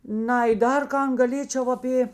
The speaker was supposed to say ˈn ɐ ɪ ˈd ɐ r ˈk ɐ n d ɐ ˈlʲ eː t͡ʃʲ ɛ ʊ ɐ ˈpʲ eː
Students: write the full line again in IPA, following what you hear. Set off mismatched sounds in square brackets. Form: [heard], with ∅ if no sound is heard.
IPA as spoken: ˈn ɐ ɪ ˈd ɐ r ˈk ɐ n [ɡ] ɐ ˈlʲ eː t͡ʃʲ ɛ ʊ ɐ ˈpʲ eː